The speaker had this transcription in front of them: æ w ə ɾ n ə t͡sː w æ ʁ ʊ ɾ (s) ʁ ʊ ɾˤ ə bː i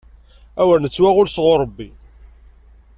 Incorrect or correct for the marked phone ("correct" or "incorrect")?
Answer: correct